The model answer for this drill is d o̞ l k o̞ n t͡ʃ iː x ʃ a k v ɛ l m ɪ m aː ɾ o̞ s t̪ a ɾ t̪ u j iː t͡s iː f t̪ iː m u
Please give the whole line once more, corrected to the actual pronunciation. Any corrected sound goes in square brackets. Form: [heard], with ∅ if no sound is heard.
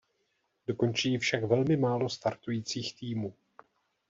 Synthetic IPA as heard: d o̞ [∅] k o̞ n t͡ʃ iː [f] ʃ a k v ɛ l m ɪ m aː [l] o̞ s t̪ a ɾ t̪ u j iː t͡s iː [x] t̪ iː m [uː]